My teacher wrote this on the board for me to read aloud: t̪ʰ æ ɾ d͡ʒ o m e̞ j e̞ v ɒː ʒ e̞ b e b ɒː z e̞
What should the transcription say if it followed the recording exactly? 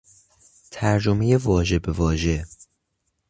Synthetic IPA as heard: t̪ʰ æ ɾ d͡ʒ o m e̞ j e̞ v ɒː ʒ e̞ b e v ɒː ʒ e̞